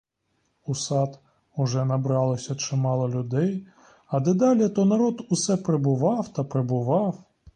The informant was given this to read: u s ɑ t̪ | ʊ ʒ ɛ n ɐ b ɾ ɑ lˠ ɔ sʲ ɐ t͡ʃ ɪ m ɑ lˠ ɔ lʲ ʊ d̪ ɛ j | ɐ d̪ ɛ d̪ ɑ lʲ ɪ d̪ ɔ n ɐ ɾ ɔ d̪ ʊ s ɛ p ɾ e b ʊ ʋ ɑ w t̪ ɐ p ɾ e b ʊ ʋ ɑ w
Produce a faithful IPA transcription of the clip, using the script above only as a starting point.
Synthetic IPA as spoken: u s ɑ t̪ | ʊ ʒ ɛ n ɐ b ɾ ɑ lˠ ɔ sʲ ɐ t͡ʃ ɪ m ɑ lˠ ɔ lʲ ʊ d̪ ɛ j | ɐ d̪ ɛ d̪ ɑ lʲ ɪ t̪ ɔ n ɐ ɾ ɔ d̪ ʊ s ɛ p ɾ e b ʊ ʋ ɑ w t̪ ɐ p ɾ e b ʊ ʋ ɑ w